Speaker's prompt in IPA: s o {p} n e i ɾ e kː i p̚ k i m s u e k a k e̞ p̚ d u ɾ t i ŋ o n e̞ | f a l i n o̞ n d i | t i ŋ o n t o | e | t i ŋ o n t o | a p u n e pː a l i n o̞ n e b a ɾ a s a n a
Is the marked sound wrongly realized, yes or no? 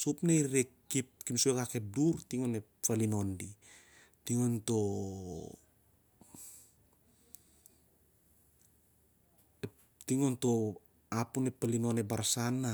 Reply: no